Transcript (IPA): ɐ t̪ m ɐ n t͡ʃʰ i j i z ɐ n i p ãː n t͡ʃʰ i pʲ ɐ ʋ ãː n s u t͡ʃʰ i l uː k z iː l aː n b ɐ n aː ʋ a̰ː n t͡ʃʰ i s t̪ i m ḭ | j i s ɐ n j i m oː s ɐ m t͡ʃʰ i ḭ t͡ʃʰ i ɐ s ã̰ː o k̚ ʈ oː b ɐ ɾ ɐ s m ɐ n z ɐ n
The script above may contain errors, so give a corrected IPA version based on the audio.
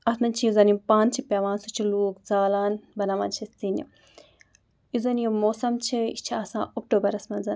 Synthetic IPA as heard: ɐ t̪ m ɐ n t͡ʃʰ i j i z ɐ n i p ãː n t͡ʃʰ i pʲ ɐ ʋ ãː n s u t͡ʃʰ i l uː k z aː l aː n b ɐ n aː ʋ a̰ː n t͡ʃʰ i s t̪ i n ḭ | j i z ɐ n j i m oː s ɐ m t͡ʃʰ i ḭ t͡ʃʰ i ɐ s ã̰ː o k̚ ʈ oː b ɐ ɾ ɐ s m ɐ n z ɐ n